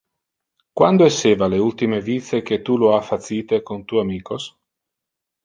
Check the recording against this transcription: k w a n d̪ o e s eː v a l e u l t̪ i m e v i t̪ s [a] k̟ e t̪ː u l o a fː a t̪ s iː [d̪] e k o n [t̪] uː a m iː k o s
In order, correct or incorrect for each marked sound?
incorrect: e, incorrect: t̪, correct

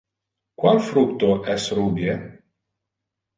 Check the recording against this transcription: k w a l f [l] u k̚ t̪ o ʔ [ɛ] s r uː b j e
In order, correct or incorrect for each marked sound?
incorrect: ɾ, correct

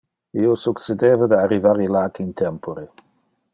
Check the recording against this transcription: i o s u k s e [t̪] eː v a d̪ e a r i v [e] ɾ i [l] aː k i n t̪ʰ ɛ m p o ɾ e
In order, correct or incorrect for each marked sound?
incorrect: d̪, incorrect: a, correct

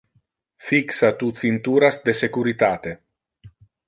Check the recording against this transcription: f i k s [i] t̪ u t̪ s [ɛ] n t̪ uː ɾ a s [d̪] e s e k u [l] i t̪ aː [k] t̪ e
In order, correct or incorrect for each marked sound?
incorrect: a, incorrect: i, correct, incorrect: ɾ, incorrect: none

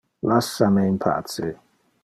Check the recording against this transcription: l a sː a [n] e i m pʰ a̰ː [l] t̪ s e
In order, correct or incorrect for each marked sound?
incorrect: m, incorrect: none

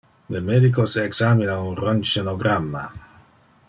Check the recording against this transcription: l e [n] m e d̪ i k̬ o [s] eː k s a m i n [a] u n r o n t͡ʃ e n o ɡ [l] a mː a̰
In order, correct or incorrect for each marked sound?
incorrect: none, correct, correct, incorrect: ɾ

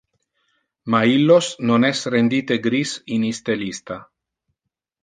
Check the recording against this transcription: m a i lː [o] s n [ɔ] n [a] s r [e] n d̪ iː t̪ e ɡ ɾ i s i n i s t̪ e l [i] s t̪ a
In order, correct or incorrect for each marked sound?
correct, incorrect: o, incorrect: ɛ, correct, correct

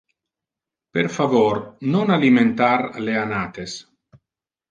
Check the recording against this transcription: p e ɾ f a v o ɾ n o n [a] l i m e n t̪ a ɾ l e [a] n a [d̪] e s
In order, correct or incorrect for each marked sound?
correct, correct, incorrect: t̪

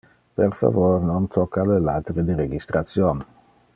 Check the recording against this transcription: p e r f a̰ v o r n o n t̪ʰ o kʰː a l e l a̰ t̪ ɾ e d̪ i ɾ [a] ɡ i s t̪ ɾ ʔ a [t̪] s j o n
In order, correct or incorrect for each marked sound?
incorrect: e, correct

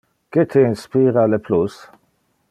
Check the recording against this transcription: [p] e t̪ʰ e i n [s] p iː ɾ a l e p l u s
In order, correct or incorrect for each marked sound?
incorrect: k, correct

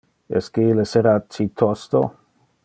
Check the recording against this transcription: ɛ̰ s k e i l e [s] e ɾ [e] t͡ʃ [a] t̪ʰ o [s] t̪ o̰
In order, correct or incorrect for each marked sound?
correct, incorrect: a, incorrect: i, correct

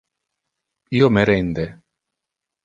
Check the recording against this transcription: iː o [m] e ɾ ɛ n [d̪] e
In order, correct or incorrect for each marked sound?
correct, correct

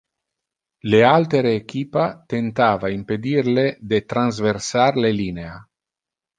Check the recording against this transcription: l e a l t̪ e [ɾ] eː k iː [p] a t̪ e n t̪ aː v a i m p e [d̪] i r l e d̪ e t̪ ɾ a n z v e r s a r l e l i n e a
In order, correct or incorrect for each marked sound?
correct, correct, correct

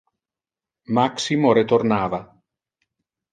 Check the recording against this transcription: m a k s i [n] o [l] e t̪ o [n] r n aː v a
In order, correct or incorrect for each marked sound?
incorrect: m, incorrect: ɾ, incorrect: none

